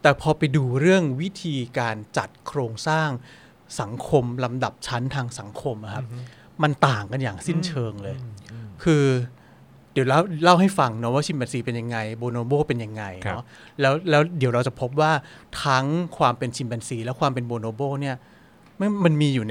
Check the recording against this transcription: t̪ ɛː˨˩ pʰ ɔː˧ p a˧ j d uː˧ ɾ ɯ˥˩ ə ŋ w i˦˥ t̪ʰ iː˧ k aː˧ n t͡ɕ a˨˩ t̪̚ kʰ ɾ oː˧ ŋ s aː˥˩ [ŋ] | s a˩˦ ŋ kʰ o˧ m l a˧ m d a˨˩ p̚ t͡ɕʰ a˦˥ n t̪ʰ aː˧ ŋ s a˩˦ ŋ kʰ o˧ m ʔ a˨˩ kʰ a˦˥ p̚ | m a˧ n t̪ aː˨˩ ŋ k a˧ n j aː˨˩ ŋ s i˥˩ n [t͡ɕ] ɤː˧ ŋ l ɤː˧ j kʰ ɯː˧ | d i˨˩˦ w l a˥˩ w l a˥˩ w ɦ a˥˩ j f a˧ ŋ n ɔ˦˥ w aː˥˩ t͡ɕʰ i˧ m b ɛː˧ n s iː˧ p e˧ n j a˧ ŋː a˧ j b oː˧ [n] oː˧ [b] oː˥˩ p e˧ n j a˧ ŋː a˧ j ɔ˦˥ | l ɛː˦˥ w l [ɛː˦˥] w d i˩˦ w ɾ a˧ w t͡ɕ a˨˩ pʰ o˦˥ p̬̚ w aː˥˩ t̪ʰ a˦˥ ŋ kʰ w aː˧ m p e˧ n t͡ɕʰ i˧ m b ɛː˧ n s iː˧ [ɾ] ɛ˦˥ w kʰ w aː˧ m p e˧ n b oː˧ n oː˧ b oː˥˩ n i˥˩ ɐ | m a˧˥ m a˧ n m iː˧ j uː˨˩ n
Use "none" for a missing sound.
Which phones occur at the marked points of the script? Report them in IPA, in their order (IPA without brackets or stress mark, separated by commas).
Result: ŋ, t͡ɕʰ, n, b, ɛː˦˥, l